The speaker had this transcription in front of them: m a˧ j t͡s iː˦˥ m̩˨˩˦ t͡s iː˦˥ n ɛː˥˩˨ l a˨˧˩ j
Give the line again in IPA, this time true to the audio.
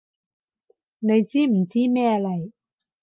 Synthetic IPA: n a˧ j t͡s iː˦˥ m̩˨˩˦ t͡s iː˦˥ m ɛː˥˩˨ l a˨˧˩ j